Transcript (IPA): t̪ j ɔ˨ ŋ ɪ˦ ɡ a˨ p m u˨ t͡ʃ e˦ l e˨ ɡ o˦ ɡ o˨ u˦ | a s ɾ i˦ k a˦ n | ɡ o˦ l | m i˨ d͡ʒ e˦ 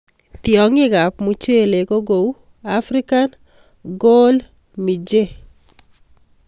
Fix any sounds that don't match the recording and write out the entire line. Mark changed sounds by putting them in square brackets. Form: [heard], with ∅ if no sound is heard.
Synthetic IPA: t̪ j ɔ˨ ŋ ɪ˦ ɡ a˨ p m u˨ t͡ʃ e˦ l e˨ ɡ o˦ ɡ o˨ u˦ | a [f] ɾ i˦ k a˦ n | ɡ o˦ l | m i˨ d͡ʒ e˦